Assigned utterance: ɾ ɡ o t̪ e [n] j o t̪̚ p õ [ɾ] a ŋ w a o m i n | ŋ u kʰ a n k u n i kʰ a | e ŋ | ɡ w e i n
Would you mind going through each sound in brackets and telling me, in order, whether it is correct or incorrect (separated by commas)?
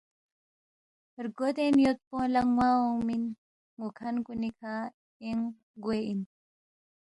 correct, incorrect